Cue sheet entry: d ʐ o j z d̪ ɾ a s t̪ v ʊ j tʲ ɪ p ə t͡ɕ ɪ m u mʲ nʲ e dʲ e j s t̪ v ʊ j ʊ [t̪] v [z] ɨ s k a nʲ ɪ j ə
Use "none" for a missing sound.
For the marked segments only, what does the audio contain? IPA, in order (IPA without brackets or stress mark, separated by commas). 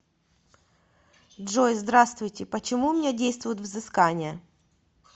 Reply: t̪, z